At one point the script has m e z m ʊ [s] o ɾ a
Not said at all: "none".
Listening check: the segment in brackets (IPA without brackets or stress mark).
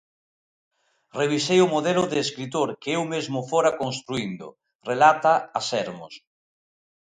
f